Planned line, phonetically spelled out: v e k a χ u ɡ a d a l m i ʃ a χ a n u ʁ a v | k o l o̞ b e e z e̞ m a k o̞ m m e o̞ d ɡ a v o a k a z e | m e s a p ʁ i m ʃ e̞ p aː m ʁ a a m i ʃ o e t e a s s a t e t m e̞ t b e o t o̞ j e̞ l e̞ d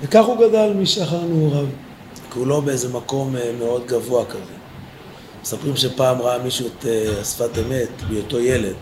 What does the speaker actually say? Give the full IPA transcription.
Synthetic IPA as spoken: v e k a χ u ɡ a d a l m i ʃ a χ a n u ʁ a v | k u l o̞ b e e z e̞ m a k o̞ m m e o̞ d ɡ a v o a k a z e | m e s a p ʁ i m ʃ e̞ p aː m ʁ a a m i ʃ u e t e a s f a t e m e̞ t b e o t o̞ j e̞ l e̞ d